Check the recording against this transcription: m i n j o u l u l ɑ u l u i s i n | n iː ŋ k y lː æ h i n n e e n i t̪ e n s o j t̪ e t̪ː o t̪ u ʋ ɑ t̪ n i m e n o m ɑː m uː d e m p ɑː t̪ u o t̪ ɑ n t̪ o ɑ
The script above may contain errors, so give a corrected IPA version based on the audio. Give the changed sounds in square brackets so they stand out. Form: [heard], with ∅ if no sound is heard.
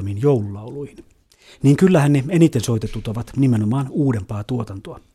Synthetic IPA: m i n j o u l u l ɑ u l u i [h] i n | n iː ŋ k y lː æ h [æ] n n e e n i t̪ e n s o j t̪ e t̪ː [u] t̪ [o] ʋ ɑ t̪ n i m e n o m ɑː [n] uː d e m p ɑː t̪ u o t̪ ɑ n t̪ o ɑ